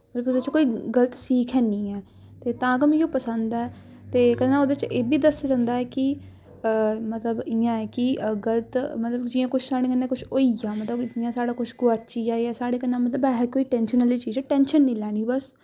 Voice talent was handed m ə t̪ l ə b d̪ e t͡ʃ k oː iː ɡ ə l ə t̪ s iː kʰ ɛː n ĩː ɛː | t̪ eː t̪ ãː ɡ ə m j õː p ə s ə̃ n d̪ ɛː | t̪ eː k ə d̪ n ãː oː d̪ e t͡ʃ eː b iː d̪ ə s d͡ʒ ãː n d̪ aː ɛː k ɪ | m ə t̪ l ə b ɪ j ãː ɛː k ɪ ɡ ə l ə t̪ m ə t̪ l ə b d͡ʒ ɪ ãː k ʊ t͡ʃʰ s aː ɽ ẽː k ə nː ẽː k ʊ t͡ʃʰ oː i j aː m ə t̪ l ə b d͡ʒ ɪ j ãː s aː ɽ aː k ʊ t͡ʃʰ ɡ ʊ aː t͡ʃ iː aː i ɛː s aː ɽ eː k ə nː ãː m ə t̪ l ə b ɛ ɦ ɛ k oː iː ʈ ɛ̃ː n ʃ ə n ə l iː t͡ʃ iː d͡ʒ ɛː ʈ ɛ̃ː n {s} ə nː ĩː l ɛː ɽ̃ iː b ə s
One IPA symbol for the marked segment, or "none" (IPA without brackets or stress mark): ʃ